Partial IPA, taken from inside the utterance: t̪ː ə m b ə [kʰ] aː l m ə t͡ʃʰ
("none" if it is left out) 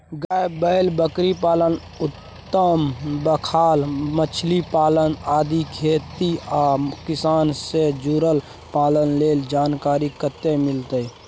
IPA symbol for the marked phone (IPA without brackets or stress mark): kʰ